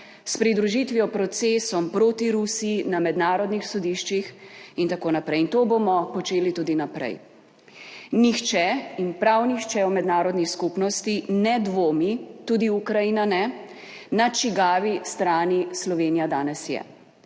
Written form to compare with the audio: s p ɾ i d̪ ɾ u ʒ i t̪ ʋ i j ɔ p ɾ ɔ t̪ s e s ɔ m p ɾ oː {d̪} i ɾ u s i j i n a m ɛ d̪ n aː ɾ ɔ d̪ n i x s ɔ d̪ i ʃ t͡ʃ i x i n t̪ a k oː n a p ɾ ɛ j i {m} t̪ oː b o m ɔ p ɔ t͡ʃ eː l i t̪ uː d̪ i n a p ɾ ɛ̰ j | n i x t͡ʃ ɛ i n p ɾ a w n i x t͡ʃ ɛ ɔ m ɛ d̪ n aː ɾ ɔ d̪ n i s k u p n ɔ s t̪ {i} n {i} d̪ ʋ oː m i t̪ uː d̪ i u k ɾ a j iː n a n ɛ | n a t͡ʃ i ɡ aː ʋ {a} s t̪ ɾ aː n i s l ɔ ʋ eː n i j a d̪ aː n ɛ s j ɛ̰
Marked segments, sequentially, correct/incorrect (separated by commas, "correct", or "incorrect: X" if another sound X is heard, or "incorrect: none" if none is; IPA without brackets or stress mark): incorrect: t̪, incorrect: n, correct, incorrect: ɛ, incorrect: i